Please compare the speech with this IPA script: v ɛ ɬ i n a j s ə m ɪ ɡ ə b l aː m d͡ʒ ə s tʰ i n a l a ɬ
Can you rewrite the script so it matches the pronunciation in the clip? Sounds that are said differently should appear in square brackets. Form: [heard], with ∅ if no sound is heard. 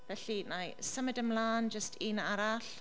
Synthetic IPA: v ɛ ɬ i n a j s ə m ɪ [d] ə [m] l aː [n] d͡ʒ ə s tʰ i n a [ɾ] a ɬ